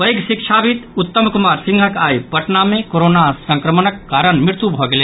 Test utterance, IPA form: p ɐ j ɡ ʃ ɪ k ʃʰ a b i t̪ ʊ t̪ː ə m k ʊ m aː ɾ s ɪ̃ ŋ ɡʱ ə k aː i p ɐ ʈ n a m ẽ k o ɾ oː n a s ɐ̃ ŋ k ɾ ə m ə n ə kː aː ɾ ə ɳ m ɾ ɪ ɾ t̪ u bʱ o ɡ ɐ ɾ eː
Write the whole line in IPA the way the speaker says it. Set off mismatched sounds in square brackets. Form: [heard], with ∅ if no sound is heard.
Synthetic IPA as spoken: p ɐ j ɡ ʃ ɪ k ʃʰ a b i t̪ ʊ t̪ː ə m k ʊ m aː ɾ s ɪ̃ ŋ ɡʱ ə k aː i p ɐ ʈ n a m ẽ k o ɾ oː n a s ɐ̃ ŋ k ɾ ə m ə n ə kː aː ɾ ə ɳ m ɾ ɪ ɾ t̪ u bʱ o ɡ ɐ [l] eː